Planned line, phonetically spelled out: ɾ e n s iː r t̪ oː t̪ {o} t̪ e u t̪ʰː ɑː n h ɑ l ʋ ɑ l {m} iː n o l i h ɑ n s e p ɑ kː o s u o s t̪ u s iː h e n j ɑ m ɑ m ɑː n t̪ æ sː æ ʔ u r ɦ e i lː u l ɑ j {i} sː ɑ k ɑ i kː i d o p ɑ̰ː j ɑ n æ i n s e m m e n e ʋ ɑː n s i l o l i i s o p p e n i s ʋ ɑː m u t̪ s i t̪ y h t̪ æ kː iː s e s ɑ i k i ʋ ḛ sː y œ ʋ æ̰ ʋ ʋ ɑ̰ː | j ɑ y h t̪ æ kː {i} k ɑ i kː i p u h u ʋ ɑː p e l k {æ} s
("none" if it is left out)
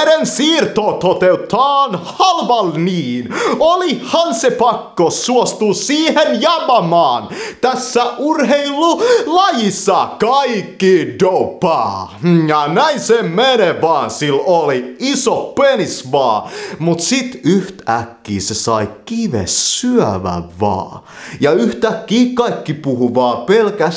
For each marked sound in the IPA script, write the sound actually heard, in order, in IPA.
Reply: o, n, i, iː, æ

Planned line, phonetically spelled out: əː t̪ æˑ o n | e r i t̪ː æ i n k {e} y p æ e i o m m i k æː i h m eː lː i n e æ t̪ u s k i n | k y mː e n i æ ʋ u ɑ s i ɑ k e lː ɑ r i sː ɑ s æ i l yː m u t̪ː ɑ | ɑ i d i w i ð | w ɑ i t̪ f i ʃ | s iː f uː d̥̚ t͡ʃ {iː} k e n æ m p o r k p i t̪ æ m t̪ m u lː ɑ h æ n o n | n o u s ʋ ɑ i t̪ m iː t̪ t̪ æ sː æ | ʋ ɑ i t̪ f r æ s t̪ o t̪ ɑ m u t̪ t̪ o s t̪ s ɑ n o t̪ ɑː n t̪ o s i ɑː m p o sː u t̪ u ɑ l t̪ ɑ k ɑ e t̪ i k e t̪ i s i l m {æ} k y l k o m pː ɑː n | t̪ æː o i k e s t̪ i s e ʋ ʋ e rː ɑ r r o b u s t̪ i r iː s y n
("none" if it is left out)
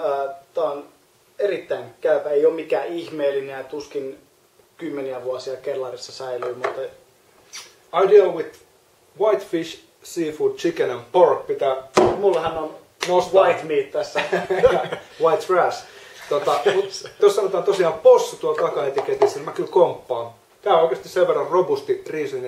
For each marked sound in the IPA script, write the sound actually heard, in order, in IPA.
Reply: æ, i, æ

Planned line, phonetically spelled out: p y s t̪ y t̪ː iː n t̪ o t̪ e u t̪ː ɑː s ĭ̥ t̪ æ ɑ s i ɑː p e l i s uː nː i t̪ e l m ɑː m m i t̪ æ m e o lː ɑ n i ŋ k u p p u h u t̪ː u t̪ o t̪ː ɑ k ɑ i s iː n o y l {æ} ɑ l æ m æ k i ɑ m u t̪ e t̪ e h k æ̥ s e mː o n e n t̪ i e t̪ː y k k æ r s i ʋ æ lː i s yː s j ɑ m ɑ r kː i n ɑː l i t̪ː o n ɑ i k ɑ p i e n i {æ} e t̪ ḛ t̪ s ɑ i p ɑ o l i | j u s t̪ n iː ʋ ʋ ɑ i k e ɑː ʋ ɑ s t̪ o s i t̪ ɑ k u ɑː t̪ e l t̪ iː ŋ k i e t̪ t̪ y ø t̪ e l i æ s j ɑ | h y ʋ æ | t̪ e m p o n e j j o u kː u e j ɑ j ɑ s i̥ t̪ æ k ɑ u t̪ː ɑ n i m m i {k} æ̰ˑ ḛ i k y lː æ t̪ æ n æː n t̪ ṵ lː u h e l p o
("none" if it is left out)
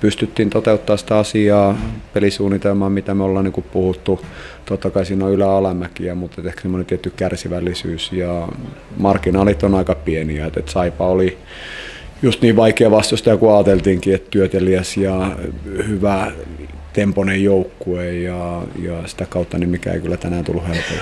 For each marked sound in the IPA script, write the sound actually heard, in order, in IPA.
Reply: æ, æ, k

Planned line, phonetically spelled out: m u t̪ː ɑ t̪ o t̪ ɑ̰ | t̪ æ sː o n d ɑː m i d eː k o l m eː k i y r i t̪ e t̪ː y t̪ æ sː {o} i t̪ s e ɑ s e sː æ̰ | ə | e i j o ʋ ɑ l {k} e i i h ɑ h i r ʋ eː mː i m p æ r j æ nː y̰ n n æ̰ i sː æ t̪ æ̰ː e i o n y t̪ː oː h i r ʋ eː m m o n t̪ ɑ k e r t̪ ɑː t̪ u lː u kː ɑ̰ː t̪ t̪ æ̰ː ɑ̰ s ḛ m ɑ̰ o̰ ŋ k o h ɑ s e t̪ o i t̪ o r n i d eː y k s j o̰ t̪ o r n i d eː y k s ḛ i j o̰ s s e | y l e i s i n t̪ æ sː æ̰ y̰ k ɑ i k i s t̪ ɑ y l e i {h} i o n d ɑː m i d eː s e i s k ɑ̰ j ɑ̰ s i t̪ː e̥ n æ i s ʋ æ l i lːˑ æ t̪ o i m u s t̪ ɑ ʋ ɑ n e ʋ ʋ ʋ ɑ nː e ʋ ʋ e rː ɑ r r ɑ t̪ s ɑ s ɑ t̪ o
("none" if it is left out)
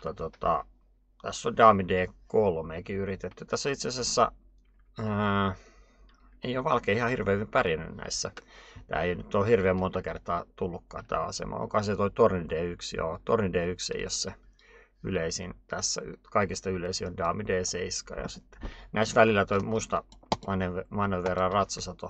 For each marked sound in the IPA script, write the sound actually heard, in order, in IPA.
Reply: o, k, s

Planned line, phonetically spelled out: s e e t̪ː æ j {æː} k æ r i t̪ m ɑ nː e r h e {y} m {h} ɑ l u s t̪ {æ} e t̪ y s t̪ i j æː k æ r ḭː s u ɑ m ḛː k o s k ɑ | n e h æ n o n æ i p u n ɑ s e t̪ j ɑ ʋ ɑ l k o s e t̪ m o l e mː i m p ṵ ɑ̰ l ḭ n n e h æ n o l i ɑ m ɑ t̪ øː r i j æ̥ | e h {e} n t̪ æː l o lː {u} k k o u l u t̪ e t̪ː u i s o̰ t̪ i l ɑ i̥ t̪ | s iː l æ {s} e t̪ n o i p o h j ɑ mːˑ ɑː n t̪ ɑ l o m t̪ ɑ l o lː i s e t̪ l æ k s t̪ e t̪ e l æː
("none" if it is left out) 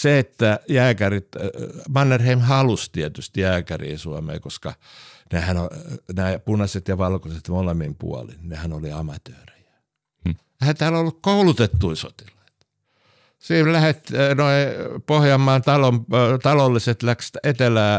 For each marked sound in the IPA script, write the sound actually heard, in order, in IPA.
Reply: æː, i, h, i, æ, u, h

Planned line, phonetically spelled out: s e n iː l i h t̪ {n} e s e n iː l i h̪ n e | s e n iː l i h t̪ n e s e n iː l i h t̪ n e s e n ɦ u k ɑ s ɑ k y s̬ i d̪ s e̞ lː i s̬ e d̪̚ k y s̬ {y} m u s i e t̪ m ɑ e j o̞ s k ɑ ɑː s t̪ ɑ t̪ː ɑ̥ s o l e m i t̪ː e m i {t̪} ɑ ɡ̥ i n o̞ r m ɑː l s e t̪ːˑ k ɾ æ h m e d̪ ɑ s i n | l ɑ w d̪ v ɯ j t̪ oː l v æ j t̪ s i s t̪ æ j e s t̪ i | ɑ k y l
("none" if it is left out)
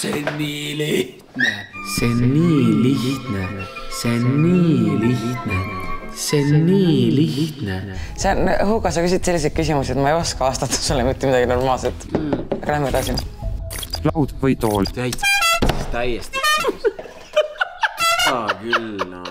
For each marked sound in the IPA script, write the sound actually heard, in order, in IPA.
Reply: n, i, d̪

